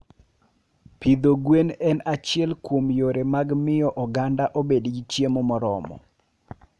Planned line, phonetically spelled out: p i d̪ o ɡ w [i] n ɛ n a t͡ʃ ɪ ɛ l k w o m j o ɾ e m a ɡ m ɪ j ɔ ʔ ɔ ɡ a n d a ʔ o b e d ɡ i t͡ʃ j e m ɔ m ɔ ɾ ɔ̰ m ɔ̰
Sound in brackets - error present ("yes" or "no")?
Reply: yes